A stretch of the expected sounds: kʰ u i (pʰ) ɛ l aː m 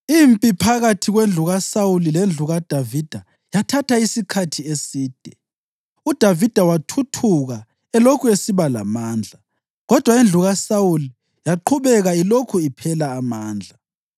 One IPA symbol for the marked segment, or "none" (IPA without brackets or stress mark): pʰ